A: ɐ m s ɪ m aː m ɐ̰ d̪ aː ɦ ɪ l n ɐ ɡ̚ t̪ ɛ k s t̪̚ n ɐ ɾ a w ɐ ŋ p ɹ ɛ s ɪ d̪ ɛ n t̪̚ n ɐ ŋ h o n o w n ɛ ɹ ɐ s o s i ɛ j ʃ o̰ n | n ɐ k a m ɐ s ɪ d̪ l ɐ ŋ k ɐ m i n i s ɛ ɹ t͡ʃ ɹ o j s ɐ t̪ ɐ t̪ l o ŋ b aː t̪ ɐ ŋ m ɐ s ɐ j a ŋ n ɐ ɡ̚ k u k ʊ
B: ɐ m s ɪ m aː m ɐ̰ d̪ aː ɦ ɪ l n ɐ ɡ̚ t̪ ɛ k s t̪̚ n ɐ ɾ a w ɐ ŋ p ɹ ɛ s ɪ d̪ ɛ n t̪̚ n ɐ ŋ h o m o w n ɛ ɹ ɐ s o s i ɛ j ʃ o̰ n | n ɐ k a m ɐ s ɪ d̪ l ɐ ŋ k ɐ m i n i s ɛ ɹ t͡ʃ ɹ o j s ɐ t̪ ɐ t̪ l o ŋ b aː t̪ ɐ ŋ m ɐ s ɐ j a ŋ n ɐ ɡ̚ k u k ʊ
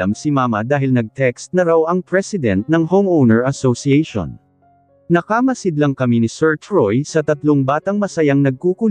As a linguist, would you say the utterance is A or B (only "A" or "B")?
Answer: B